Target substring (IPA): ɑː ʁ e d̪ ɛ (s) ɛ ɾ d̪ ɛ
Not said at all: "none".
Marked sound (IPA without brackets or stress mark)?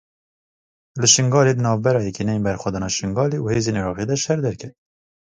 ʃ